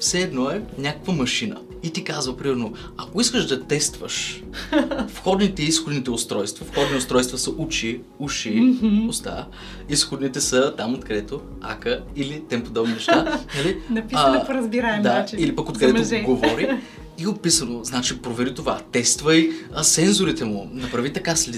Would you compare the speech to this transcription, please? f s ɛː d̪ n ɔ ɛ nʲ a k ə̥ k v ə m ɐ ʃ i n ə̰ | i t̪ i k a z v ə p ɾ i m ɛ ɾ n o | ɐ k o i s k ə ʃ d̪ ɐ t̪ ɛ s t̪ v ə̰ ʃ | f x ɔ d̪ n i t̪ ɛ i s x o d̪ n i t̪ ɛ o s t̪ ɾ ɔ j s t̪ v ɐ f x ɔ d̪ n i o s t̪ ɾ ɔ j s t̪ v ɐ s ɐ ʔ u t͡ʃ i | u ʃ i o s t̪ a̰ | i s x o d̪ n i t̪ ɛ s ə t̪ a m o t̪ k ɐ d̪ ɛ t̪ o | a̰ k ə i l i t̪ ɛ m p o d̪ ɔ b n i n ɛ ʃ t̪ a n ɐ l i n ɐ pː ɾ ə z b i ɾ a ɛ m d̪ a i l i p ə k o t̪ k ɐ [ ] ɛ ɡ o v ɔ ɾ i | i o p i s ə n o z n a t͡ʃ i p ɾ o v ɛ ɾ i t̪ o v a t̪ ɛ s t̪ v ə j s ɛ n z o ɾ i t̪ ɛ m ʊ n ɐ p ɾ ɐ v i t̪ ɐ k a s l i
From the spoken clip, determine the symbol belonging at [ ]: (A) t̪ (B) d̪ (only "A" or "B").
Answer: B